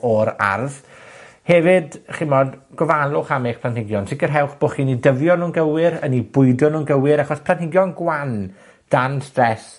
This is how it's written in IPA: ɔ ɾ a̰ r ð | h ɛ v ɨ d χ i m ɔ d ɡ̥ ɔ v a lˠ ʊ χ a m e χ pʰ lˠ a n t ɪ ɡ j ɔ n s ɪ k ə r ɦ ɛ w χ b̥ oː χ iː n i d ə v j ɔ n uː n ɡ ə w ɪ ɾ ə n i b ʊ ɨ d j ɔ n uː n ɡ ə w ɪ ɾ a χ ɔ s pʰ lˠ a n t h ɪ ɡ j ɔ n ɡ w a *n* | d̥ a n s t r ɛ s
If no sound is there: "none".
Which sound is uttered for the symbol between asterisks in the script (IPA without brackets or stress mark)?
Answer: n